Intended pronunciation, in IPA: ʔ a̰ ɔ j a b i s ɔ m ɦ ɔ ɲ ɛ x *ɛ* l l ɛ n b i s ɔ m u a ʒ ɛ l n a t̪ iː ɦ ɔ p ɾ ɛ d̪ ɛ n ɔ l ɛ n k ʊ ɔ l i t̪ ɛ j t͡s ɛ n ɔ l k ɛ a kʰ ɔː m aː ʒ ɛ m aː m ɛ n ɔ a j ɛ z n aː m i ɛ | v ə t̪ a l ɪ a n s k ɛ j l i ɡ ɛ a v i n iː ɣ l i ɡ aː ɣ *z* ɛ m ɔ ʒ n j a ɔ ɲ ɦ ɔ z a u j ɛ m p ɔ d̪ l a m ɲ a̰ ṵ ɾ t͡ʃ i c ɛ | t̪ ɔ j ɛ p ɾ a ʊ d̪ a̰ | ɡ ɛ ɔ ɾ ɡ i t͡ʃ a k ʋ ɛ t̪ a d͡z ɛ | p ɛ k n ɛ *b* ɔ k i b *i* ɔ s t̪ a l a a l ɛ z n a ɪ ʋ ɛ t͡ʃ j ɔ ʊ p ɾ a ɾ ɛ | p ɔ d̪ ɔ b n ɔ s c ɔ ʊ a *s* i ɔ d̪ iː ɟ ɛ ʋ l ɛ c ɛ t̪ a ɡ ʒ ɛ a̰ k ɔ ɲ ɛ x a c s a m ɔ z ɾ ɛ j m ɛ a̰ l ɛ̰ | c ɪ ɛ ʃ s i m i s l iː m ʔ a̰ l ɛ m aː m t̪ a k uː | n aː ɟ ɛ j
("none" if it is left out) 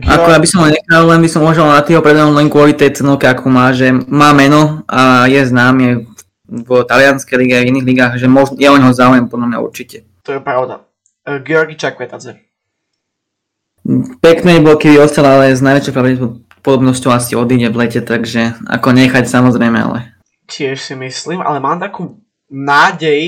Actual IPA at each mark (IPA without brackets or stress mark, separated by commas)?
a, ʒ, b, i, s